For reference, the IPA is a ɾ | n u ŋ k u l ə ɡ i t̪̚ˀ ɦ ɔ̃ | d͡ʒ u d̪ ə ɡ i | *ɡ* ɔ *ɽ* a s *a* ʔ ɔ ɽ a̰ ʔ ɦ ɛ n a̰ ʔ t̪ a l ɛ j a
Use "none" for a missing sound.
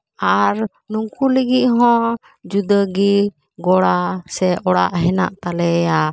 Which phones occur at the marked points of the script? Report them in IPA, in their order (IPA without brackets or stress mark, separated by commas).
ɡ, ɽ, ɛ